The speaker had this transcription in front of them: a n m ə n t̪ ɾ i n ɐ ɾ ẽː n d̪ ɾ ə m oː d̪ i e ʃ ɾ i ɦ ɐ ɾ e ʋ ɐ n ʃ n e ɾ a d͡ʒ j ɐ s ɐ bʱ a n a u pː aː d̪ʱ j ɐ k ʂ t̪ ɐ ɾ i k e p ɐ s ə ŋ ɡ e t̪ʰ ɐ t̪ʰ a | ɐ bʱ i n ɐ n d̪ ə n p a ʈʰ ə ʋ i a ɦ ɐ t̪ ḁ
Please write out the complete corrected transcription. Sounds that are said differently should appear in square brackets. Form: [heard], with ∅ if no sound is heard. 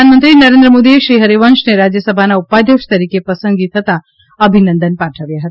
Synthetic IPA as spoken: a n m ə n t̪ ɾ i n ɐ ɾ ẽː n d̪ ɾ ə m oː d̪ i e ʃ ɾ i ɦ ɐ ɾ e ʋ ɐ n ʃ n e ɾ a d͡ʒ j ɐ s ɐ bʱ a n a u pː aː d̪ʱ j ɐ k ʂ t̪ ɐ ɾ i k e p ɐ s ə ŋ ɡ [i] t̪ʰ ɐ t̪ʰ a | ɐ bʱ i n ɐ n d̪ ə n p a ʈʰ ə ʋ [j] a ɦ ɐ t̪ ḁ